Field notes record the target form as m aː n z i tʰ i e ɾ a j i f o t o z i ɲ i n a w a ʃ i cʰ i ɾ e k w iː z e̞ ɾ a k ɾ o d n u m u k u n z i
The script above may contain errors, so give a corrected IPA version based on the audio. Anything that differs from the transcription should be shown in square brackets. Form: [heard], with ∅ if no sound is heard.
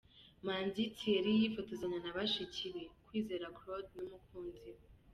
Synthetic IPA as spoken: m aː n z i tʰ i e ɾ [i] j i f o t o z [a] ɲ [a] n a [β] a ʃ i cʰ i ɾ e k w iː z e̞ ɾ a k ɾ o d n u m u k [uː] n z i